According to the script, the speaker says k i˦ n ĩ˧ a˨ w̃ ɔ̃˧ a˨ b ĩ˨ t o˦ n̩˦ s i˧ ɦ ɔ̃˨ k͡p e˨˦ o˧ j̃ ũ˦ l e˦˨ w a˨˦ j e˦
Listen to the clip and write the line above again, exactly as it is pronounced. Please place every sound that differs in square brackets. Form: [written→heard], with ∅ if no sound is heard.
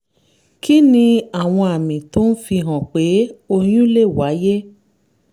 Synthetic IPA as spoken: k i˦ n ĩ˧ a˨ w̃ ɔ̃˧ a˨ [b→m] ĩ˨ t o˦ n̩˦ [s→f] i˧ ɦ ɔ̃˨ k͡p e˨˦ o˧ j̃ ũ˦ l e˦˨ w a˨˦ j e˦

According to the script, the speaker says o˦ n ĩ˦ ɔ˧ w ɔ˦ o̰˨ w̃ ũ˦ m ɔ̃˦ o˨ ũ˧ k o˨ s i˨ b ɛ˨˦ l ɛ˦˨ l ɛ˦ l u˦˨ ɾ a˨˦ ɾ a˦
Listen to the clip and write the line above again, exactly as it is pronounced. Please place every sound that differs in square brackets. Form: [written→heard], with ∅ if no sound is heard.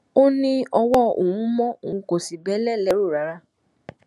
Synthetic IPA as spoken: o˦ n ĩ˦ ɔ˧ w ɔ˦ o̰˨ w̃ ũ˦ m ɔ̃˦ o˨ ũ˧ k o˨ s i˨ b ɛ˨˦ l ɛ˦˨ l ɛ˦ [l→ɾ] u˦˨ ɾ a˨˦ ɾ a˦

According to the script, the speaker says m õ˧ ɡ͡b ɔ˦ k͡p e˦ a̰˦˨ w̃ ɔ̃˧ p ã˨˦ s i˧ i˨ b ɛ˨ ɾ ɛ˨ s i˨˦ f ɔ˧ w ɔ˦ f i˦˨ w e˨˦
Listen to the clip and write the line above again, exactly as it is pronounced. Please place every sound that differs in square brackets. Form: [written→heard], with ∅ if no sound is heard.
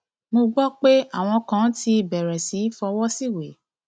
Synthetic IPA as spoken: m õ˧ ɡ͡b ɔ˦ k͡p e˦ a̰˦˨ w̃ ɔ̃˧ [p→k] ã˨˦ [s→t] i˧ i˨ b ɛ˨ ɾ ɛ˨ s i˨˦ f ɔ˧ w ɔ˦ [f→s] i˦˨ w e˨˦

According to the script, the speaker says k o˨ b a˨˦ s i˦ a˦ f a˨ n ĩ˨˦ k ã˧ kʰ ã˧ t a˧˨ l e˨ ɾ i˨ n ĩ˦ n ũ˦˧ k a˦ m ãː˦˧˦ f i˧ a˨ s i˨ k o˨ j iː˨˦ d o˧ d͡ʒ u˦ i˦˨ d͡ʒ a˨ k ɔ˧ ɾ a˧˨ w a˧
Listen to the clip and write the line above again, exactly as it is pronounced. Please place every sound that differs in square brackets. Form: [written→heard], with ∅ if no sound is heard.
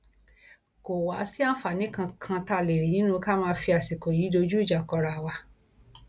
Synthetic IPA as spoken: k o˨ [b→w] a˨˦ s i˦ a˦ f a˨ n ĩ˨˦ k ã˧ kʰ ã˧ t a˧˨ l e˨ ɾ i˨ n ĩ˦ n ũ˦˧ k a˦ m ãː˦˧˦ f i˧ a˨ s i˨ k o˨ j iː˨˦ d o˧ d͡ʒ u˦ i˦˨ d͡ʒ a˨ k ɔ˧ ɾ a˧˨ w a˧

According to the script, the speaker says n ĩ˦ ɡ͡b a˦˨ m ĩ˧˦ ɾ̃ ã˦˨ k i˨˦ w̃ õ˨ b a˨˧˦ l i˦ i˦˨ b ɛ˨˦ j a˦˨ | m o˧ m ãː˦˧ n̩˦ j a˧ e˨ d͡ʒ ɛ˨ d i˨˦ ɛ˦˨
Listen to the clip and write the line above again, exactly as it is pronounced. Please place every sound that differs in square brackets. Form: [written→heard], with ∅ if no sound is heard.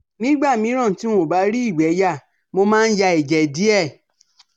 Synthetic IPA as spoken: n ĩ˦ ɡ͡b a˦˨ m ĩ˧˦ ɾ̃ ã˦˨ [k→t] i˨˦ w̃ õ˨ b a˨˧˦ [l→ɾ] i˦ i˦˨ [b→ɡ͡b] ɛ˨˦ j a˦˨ | m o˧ m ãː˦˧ n̩˦ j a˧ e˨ d͡ʒ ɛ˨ d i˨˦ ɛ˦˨

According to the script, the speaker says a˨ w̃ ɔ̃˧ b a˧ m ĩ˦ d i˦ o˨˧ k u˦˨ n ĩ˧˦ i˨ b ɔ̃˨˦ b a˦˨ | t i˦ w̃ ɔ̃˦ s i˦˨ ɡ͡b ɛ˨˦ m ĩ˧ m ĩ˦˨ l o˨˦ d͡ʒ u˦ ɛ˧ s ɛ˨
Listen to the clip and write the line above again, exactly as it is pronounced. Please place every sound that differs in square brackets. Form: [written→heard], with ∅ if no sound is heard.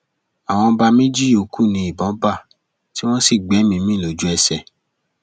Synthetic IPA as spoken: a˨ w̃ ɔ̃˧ b a˧ m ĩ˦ [d→d͡ʒ] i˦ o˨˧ k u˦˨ n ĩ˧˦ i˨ b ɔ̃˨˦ b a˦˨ | t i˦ w̃ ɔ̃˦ s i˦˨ ɡ͡b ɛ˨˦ m ĩ˧ m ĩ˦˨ l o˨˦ d͡ʒ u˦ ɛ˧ s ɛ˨

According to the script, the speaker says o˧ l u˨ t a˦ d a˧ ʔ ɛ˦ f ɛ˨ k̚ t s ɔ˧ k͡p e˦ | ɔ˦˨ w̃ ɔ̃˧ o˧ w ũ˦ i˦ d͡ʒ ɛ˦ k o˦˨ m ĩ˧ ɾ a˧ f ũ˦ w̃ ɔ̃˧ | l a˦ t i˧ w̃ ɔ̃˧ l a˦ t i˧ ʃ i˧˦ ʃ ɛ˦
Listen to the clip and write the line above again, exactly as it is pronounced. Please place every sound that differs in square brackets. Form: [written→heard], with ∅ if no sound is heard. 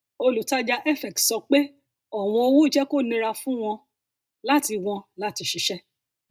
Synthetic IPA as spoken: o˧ l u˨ t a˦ [d→d͡ʒ] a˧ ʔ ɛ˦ f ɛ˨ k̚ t s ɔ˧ k͡p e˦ | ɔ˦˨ w̃ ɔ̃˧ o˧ w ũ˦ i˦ d͡ʒ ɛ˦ k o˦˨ [m→n] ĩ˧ ɾ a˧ f ũ˦ w̃ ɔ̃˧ | l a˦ t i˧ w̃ ɔ̃˧ l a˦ t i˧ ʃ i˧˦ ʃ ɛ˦

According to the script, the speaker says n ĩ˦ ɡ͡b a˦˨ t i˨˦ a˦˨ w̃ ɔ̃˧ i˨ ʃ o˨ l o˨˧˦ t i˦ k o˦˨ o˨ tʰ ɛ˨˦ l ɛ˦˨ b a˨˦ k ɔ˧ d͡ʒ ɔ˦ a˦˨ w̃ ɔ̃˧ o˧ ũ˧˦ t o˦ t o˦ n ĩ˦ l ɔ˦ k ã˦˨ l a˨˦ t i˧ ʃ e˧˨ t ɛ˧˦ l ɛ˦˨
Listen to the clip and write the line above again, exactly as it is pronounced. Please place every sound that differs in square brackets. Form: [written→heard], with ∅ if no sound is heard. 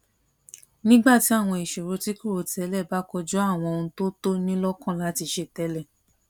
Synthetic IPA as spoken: n ĩ˦ ɡ͡b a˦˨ t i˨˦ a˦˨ w̃ ɔ̃˧ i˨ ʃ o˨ [l→ɾ] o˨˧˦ t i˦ k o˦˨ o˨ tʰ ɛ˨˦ l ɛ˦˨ b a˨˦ k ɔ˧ d͡ʒ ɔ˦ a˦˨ w̃ ɔ̃˧ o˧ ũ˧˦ t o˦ t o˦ n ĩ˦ l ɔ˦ k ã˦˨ l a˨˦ t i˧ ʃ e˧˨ t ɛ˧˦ l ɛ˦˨

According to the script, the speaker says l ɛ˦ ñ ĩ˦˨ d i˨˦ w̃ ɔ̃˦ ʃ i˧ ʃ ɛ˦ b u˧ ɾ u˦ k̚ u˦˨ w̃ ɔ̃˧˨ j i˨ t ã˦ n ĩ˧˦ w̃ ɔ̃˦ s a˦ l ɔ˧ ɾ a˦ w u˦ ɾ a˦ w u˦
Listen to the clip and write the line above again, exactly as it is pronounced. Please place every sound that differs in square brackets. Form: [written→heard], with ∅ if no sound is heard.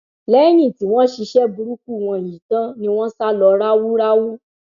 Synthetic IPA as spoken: l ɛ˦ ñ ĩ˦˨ [d→t] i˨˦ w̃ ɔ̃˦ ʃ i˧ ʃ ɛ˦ b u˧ ɾ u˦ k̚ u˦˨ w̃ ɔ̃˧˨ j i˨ t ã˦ n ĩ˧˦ w̃ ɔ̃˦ s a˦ l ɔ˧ ɾ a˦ w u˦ ɾ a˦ w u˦

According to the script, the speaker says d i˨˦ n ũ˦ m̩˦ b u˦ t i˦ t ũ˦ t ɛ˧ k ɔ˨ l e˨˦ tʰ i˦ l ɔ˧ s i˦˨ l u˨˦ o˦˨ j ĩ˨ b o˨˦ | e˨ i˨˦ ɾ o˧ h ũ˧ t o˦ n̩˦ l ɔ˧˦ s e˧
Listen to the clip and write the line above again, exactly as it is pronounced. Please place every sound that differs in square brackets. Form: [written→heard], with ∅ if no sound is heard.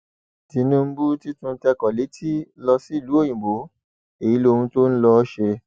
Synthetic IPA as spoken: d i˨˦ n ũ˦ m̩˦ b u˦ t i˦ t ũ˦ t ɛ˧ k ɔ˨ l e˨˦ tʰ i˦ l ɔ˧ s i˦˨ l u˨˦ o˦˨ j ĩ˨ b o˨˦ | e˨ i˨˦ [ɾ→l] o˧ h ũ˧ t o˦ n̩˦ l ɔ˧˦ [s→ʃ] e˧

